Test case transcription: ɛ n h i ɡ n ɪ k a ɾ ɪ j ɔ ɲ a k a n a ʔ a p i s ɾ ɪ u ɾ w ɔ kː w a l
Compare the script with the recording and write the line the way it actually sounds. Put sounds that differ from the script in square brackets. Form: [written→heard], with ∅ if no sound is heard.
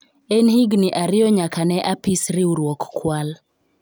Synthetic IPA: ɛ n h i ɡ n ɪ [k→ʔ] a ɾ ɪ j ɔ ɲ a k a n [a→ɛ] ʔ a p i s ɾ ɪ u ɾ w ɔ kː w a l